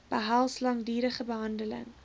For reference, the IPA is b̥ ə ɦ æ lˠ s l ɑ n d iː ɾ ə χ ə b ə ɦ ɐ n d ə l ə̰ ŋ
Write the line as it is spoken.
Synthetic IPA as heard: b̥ ə ɦ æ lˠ s l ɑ ŋ d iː ɾ ə χ ə b ə ɦ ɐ n d ə l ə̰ ŋ

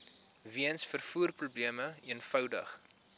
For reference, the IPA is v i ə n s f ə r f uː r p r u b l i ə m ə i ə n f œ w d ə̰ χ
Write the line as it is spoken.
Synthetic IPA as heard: v i ə n s f ə r f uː r p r u b l i ə m ə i ə n f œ w d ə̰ χ

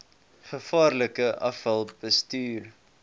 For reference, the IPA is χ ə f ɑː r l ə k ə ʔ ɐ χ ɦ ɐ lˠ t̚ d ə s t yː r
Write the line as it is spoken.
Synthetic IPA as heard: χ ə f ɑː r l ə k ə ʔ ɐ f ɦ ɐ lˠ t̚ b ə s t yː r

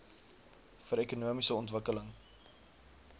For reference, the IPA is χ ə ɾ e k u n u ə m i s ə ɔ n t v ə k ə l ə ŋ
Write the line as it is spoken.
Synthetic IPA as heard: f ə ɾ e k u n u ə m i s ə ɔ n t v ə k ə l ə ŋ

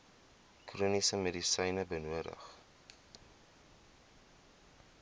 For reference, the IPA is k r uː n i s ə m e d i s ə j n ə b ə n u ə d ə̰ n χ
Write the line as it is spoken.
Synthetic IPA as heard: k r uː n i s ə m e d i s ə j n ə b ə n u ə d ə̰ χ

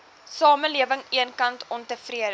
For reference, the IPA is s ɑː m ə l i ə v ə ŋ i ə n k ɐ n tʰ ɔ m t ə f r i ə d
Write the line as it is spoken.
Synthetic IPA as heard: s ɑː m ə l i ə v ə ŋ i ə n k ɐ n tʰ ɔ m t ə f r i ə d

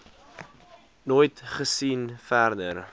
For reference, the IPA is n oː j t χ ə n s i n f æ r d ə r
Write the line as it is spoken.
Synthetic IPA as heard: n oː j t χ ə s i n f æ r d ə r

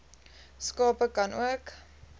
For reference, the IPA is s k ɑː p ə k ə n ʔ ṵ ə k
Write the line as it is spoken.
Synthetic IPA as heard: s k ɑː p ə k ɐ n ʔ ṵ ə k

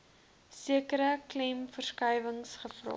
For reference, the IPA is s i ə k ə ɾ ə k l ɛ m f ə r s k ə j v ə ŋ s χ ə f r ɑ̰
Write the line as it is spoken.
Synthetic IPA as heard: s i ə k ə ɾ ə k l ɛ m f ə r s k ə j v ə ŋ s χ ə f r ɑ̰

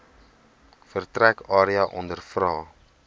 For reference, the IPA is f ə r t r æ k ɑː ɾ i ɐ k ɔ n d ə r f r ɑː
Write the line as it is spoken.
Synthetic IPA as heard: f ə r t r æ k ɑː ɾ i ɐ ʔ ɔ n d ə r f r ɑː

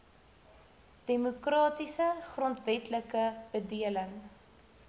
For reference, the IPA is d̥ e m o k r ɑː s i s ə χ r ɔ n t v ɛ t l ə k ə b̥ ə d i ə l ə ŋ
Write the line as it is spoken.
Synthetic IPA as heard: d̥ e m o k r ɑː t i s ə χ r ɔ n t v ɛ t l ə k ə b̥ ə d i ə l ə ŋ

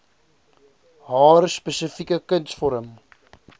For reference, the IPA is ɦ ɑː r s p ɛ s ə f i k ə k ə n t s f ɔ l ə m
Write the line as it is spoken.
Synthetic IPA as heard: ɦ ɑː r s p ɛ s ə f i k ə k ə n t s f ɔ ɾ ə m

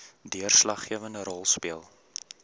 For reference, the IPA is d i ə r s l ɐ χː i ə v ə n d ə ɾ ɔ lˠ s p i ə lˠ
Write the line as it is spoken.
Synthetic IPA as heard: d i ə r s l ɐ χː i ə v ə n d ə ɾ ɔ lˠ s p i ə lˠ

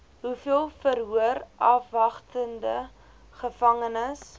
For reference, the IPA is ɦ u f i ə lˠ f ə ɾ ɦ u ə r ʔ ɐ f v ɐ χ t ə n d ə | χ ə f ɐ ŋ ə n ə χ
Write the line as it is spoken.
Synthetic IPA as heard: ɦ u f i ə lˠ f ə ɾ ɦ u ə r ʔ ɐ f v ɐ χ t ə n d ə | χ ə f ɐ ŋ ə n ə s

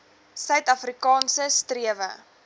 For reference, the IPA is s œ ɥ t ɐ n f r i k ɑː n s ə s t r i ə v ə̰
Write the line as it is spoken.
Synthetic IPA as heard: s œ ɥ t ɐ f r i k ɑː n s ə s t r i ə v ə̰

